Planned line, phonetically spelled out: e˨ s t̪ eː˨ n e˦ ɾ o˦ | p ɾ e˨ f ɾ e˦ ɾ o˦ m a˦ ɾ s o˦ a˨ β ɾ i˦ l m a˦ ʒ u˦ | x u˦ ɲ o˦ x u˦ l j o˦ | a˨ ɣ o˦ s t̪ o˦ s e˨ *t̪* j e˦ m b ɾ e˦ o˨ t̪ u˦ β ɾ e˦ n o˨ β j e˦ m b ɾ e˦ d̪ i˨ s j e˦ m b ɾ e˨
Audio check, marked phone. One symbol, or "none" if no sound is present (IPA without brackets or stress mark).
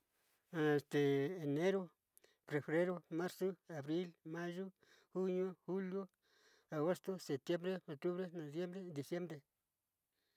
t̪